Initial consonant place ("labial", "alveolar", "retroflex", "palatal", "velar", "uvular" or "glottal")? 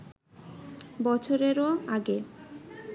labial